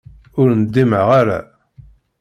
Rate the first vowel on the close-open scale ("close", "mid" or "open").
close